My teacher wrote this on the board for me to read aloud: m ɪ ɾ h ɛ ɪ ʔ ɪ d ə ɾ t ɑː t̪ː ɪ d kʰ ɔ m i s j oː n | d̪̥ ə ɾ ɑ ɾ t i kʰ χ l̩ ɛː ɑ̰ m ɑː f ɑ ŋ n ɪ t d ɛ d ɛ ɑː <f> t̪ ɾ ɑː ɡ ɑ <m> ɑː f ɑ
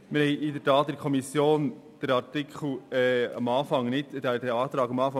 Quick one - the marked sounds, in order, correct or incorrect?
incorrect, correct

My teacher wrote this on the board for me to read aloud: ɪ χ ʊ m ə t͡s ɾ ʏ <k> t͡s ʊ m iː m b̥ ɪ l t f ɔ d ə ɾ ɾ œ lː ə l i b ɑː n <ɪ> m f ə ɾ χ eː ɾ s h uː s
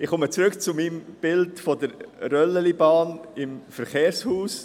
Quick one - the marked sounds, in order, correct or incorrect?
correct, correct

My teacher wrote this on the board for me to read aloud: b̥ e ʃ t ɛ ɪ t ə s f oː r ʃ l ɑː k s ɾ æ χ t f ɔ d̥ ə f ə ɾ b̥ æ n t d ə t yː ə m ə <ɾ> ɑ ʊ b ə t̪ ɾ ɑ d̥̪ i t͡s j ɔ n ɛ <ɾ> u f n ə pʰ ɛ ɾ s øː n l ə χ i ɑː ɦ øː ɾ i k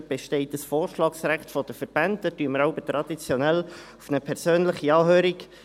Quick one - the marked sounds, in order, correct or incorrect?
correct, incorrect

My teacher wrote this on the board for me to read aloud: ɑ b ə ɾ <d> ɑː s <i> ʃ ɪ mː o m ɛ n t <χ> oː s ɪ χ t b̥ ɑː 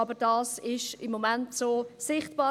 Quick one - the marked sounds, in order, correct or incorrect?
correct, incorrect, incorrect

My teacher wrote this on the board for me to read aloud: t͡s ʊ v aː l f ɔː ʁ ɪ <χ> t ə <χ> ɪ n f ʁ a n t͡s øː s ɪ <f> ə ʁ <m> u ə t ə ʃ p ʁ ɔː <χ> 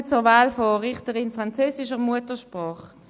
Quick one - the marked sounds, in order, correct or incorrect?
correct, incorrect, incorrect, correct, correct

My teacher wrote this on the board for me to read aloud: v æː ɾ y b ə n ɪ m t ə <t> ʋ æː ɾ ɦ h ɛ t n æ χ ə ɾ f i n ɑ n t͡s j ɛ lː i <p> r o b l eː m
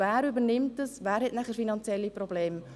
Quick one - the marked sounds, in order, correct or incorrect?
incorrect, correct

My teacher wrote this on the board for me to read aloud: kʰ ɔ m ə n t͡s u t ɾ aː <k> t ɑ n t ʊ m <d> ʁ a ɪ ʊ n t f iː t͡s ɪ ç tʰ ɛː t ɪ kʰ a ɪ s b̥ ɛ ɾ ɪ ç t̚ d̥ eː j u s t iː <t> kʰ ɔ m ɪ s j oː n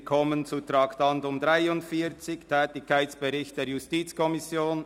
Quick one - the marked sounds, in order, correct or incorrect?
correct, correct, incorrect

